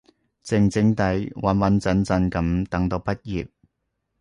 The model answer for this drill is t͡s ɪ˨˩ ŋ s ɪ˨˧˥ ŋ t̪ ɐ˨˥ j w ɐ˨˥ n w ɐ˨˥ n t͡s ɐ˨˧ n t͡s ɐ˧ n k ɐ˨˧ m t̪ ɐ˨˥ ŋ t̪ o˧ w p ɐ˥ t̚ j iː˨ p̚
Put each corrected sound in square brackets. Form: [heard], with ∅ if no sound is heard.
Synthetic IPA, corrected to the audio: t͡s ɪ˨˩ ŋ [t͡s] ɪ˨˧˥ ŋ t̪ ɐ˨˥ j w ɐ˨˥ n w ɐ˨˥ n t͡s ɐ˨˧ n t͡s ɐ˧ n k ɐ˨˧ m t̪ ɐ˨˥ ŋ t̪ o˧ w p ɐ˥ t̚ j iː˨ p̚